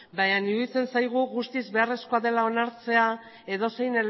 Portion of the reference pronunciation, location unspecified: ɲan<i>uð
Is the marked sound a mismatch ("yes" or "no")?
no